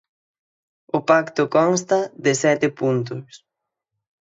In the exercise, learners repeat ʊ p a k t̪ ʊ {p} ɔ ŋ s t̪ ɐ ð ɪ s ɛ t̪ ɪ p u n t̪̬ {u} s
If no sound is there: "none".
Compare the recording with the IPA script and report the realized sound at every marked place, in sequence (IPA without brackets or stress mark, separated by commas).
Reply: k, ʊ